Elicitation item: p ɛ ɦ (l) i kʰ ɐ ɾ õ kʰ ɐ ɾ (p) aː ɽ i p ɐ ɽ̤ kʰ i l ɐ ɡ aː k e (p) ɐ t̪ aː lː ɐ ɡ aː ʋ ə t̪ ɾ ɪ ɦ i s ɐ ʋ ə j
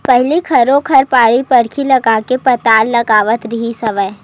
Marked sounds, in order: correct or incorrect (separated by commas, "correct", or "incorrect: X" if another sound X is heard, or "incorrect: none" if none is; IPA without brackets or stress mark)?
correct, correct, correct